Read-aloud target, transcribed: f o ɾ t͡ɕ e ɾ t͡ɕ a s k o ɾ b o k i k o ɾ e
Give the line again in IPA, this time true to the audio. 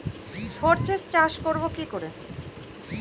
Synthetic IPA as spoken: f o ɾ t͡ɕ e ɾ t͡ɕ a ʃ k o ɾ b o k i k o ɾ e